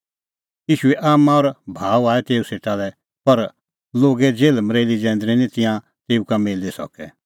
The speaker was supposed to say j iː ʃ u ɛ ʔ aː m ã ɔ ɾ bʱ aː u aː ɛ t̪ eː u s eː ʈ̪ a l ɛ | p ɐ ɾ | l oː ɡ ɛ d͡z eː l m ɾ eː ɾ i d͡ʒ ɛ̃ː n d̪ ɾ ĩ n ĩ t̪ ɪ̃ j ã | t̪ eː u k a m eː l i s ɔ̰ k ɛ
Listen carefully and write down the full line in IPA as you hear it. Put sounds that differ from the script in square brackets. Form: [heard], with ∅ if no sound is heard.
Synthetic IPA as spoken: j iː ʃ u ɛ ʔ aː m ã ɔ ɾ bʱ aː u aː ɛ t̪ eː u s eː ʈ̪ a l ɛ | p ɐ ɾ | l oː ɡ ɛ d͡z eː l m ɾ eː [l] i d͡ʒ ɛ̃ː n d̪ ɾ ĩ n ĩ t̪ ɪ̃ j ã | t̪ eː u k a m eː l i s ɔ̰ k ɛ